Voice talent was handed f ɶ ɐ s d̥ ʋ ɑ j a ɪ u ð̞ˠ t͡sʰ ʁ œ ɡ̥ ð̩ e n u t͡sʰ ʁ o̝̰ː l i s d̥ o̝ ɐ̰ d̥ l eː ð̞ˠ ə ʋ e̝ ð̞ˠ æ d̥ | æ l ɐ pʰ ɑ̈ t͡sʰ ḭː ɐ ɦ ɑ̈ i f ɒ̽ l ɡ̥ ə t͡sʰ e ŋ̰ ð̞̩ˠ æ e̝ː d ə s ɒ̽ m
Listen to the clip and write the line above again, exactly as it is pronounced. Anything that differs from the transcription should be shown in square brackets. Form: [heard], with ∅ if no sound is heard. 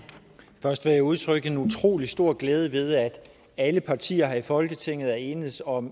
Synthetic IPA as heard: f ɶ ɐ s d̥ ʋ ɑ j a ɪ u ð̞ˠ t͡sʰ ʁ œ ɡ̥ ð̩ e n u t͡sʰ ʁ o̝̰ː l i s d̥ o̝ ɐ̰ [ɡ̥] l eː ð̞ˠ ə ʋ e̝ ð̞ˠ æ d̥ | æ l [ə] pʰ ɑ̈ t͡sʰ ḭː ɐ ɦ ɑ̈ i f ɒ̽ l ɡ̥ ə t͡sʰ e ŋ̰ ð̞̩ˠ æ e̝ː [n] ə s ɒ̽ m

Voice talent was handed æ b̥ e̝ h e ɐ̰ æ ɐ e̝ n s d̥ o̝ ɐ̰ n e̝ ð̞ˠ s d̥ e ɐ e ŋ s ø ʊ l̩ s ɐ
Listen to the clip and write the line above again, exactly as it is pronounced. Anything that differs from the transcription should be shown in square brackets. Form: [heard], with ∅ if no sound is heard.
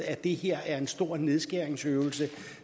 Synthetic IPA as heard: æ [d̥] e̝ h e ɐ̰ æ ɐ e̝ n s d̥ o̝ ɐ̰ n e̝ ð̞ˠ s [ɡ̥] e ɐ e ŋ s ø ʊ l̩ s [ə]

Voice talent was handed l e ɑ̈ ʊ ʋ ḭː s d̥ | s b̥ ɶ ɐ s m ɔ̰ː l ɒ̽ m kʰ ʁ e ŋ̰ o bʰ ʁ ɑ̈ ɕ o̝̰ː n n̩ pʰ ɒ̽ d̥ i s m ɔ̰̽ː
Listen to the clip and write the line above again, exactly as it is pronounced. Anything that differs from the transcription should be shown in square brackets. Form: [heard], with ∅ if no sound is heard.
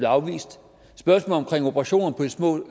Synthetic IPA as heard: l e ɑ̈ ʊ ʋ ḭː s d̥ | s b̥ ɶ ɐ s m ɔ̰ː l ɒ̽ m kʰ ʁ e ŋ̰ o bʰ ʁ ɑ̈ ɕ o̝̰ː n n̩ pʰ ɒ̽ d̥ i s m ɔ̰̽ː

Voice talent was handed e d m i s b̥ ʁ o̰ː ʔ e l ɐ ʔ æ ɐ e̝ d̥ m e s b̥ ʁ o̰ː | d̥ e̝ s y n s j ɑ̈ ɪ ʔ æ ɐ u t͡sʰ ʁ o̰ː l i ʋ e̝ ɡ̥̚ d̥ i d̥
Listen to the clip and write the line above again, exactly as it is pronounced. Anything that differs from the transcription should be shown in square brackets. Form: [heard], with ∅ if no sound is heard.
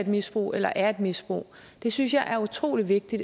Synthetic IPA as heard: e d m i s b̥ ʁ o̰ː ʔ e l ɐ ʔ æ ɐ e̝ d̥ m [i] s b̥ ʁ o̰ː | d̥ e̝ s y n s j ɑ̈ ɪ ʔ æ ɐ u t͡sʰ ʁ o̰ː l i ʋ e̝ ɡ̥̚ d̥ i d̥

